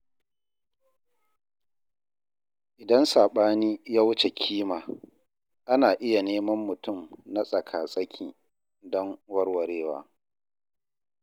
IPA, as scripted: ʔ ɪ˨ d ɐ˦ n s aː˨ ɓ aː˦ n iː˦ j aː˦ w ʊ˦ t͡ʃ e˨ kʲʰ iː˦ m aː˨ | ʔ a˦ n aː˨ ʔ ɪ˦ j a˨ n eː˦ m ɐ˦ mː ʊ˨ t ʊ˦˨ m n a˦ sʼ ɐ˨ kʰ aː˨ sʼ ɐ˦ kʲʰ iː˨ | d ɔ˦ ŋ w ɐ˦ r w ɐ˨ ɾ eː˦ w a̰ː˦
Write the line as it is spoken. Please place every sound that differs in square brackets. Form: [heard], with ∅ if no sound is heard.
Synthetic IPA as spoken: ʔ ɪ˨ d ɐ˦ n s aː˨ ɓ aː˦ n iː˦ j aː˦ w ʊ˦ t͡ʃ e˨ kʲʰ iː˦ m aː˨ | ʔ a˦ n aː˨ ʔ ɪ˦ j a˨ n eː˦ m ɐ˦ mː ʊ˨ t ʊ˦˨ m n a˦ sʼ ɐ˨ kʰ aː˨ sʼ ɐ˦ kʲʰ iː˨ | d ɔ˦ ŋ w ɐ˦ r w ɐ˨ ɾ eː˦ w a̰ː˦

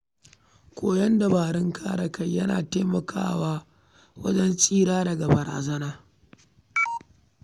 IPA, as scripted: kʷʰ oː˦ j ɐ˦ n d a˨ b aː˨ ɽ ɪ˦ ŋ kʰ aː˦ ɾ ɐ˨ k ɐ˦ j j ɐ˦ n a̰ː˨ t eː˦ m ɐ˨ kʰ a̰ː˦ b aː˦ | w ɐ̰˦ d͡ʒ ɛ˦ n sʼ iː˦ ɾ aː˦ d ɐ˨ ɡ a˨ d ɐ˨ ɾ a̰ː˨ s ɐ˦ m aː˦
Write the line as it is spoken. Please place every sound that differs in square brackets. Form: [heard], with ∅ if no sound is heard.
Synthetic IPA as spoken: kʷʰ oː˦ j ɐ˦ n d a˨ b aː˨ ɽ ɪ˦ ŋ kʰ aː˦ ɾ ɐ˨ k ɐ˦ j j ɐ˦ n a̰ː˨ t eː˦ m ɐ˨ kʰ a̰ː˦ [w] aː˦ | w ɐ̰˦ d͡ʒ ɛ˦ n sʼ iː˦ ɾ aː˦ d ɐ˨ ɡ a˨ [b] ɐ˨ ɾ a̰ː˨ [z] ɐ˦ [n] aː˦

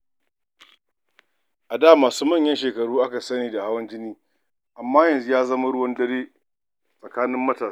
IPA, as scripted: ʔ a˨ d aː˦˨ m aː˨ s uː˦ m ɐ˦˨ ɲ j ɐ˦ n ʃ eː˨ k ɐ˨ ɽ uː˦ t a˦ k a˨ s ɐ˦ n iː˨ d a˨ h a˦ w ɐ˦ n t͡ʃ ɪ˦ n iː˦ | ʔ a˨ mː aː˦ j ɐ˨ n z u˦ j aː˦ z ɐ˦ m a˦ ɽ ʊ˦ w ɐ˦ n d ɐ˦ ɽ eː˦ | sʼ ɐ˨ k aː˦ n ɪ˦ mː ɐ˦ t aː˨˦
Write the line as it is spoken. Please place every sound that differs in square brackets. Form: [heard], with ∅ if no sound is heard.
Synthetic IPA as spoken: ʔ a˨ d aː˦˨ m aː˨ s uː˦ m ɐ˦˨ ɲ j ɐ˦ n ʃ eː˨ k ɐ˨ ɽ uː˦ [ʔ] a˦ k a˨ s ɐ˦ n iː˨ d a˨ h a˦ w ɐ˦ n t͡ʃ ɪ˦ n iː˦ | ʔ a˨ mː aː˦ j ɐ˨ n z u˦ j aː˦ z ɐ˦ m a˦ ɽ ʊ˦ w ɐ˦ n d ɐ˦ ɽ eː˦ | sʼ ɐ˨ k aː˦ n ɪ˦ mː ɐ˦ t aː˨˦

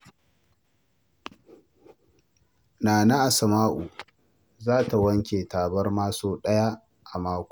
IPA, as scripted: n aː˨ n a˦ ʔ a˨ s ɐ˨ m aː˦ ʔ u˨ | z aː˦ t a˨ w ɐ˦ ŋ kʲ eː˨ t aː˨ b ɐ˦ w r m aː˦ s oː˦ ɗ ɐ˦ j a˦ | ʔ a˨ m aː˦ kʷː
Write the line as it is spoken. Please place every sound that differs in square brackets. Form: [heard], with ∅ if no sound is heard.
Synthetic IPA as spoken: n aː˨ n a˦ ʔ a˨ s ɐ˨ m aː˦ ʔ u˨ | z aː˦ t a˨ w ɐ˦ ŋ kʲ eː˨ t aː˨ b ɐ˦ [∅] r m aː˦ s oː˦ ɗ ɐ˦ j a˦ | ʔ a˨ m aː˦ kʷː

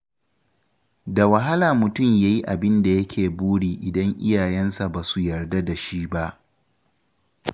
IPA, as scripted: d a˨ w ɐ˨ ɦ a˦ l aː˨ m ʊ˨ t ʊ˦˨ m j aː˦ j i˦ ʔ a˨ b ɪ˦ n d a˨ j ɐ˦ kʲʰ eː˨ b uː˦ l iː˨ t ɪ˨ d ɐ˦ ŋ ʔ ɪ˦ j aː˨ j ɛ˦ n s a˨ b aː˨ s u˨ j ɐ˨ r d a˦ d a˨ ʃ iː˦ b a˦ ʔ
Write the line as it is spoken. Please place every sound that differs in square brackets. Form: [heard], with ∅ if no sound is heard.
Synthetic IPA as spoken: d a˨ w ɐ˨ ɦ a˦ l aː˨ m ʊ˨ t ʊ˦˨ m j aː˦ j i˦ ʔ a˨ b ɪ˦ n d a˨ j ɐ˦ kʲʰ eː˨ b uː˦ [ɽ] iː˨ [ʔ] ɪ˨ d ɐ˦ ŋ ʔ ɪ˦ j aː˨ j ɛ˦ n s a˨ b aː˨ s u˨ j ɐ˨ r d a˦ d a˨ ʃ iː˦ b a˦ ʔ

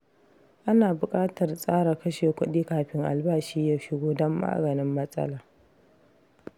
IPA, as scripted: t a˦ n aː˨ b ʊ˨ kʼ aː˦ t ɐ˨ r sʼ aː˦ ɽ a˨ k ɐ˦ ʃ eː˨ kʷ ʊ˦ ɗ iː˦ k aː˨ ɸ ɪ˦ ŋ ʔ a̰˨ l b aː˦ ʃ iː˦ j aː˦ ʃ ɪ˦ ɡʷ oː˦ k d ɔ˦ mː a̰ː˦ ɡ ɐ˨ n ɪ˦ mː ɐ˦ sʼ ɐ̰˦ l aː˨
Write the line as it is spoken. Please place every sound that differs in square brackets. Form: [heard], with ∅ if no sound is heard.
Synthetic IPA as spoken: [ʔ] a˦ n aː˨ b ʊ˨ kʼ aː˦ t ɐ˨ r sʼ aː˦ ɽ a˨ k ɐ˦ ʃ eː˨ kʷ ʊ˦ ɗ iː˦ k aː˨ ɸ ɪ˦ ŋ ʔ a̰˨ l b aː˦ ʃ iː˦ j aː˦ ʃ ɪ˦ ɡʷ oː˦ [∅] d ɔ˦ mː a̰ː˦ ɡ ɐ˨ n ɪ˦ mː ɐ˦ sʼ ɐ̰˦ l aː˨

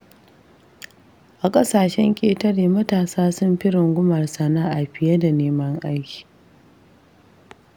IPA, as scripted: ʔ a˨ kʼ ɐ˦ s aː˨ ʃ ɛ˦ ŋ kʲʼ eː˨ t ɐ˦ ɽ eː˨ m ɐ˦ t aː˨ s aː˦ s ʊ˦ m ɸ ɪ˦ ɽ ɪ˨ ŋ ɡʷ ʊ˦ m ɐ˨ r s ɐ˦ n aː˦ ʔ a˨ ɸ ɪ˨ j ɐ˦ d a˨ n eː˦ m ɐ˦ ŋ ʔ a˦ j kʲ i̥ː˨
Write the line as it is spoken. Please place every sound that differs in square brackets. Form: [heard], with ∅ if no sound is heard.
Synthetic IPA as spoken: ʔ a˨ kʼ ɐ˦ s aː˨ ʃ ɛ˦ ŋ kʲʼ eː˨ t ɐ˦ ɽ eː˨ m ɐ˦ t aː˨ s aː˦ s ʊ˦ m ɸ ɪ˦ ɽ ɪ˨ ŋ ɡʷ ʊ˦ m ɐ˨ r s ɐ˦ n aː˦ ʔ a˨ ɸ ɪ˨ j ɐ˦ d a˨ n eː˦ m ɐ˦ ŋ ʔ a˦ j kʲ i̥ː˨

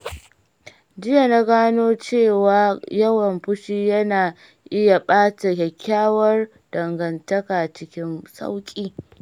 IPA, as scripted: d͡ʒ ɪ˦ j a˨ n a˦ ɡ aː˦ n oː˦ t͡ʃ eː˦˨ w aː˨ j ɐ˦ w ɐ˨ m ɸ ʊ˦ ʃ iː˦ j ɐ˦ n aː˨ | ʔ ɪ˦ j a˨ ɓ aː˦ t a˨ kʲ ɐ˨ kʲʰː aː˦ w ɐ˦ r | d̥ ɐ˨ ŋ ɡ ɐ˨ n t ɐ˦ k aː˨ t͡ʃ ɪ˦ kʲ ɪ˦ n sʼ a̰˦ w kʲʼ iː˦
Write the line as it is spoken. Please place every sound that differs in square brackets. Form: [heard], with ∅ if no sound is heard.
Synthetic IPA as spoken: d͡ʒ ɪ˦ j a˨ n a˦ ɡ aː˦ n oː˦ t͡ʃ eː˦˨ w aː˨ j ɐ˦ w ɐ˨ m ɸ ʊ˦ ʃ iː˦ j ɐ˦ n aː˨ | ʔ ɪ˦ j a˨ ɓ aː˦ t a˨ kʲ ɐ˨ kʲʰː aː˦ w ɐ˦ r | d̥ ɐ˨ ŋ ɡ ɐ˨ n t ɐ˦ k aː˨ t͡ʃ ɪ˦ kʲ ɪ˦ n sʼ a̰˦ w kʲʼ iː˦

